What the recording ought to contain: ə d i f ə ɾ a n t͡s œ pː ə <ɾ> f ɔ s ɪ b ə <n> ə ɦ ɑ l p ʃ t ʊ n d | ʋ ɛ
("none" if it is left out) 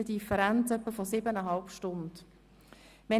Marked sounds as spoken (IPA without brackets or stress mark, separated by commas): none, n